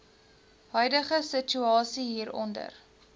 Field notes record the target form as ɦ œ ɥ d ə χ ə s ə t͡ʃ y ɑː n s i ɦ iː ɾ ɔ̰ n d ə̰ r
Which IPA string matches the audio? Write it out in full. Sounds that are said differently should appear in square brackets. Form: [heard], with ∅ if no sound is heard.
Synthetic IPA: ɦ œ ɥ d ə χ ə s ə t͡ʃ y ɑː [∅] s i ɦ iː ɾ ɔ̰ n d ə̰ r